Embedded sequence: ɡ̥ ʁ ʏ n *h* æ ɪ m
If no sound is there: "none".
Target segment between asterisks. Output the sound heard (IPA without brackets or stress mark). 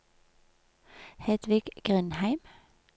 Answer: h